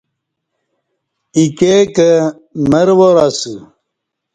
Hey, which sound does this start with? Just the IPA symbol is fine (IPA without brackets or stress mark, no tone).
i